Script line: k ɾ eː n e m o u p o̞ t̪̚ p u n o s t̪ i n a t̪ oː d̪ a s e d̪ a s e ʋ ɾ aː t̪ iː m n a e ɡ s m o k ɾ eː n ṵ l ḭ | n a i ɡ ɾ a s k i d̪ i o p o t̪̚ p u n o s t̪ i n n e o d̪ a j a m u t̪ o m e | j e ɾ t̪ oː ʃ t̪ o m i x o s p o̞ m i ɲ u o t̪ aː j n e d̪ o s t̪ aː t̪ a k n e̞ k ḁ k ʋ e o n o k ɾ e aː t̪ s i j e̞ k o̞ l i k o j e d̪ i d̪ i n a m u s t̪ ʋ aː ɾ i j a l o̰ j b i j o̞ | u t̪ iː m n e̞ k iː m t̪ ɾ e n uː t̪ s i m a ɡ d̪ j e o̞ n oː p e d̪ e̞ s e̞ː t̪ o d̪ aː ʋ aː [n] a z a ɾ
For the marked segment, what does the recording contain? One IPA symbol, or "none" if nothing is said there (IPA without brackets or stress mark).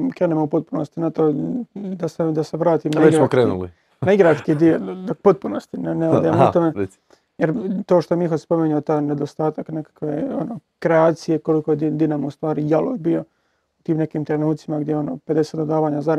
ɲ